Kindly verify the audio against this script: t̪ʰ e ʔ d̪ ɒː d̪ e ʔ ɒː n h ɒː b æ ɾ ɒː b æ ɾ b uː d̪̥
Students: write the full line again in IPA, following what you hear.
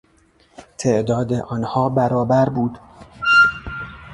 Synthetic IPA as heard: t̪ʰ e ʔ d̪ ɒː d̪ e ʔ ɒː n h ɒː b æ ɾ ɒː b æ ɾ b uː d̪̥